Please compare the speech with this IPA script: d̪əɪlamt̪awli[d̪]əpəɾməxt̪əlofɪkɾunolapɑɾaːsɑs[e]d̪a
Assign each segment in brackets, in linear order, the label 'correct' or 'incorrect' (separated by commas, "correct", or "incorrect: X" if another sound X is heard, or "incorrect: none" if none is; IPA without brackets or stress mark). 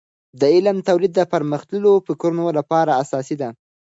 incorrect: d̪ː, incorrect: i